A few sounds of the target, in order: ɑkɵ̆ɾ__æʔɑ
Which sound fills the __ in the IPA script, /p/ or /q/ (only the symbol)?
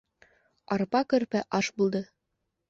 p